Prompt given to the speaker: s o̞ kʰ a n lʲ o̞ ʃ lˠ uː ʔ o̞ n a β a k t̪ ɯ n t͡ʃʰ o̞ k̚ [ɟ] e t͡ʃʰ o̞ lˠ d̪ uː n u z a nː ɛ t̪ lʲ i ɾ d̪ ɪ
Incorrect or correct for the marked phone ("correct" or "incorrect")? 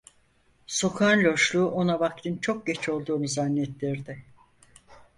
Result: correct